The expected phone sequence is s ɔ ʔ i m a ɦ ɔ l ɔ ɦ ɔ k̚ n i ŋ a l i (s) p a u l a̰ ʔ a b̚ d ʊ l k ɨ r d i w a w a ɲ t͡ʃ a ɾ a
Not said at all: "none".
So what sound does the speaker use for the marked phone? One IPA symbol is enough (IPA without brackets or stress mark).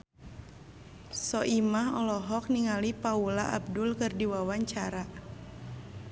none